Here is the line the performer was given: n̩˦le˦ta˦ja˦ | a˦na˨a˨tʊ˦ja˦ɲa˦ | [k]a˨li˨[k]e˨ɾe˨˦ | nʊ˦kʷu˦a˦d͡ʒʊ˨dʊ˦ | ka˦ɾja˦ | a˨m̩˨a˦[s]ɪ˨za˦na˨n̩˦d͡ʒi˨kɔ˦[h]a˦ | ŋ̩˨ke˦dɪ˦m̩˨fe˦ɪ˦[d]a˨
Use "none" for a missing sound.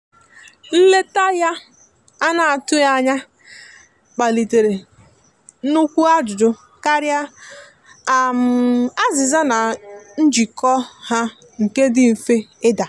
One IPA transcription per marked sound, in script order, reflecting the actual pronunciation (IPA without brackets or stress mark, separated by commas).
k͡p, t, z, h, d